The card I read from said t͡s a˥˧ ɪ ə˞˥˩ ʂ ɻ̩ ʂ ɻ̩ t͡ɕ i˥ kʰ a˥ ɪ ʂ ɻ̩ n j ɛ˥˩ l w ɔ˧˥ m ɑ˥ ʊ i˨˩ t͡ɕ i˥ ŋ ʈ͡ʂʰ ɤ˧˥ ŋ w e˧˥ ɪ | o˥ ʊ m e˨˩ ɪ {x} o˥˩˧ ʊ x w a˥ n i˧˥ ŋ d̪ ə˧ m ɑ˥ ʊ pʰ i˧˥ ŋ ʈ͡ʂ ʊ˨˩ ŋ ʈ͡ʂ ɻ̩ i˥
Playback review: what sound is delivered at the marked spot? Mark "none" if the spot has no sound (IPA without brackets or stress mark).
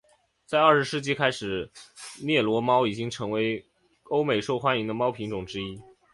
ʂ